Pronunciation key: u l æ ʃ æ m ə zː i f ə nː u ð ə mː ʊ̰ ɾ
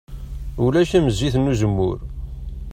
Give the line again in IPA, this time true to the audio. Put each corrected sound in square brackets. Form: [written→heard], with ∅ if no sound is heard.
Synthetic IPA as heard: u l æ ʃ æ m ə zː i [f→θ] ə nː u [ð→z] ə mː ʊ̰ ɾ